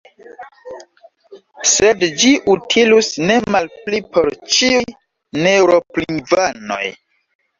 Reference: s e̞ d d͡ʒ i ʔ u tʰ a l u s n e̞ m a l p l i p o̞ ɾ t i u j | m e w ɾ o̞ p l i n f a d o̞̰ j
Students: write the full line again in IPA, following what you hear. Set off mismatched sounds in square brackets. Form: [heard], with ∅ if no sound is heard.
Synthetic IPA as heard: s e̞ d d͡ʒ i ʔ u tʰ [i] l u s n e̞ m a l p l i p o̞ ɾ [t͡ʃ] i u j | [n] e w ɾ o̞ p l i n [v] a [n] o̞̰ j